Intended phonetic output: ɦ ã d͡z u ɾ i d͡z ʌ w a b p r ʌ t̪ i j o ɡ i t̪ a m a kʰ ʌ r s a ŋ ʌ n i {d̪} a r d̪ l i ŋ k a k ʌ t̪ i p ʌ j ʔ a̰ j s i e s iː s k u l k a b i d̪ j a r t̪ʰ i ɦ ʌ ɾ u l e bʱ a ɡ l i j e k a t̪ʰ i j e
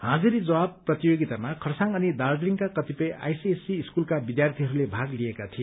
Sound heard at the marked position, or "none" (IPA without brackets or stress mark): d̪